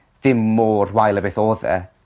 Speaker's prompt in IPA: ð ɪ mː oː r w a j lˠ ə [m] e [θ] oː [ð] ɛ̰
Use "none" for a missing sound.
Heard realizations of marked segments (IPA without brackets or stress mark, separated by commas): b, θ, ð